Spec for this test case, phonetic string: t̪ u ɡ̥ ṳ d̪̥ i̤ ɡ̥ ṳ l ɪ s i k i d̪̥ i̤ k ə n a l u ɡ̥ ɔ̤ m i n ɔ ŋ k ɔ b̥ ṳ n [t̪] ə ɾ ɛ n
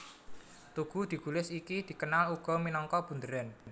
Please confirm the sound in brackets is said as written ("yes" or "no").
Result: no